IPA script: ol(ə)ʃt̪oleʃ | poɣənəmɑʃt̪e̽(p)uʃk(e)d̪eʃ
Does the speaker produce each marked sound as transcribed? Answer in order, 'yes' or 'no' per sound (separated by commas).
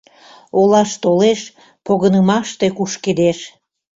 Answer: no, no, yes